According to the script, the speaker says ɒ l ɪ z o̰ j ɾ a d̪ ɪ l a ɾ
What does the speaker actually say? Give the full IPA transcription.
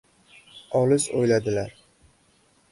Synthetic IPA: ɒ l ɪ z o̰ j l a d̪ ɪ l a ɾ